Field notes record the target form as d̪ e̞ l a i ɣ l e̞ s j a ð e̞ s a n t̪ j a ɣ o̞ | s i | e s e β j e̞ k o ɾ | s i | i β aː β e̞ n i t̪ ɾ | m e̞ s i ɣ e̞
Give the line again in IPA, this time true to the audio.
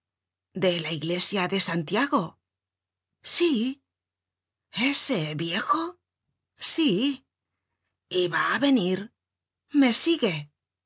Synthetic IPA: d̪ e̞ l a i ɣ l e̞ s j a ð e̞ s a n t̪ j a ɣ o̞ | s i | e s e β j e̞ x o | s i | i β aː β e̞ n i ɾ | m e̞ s i ɣ e̞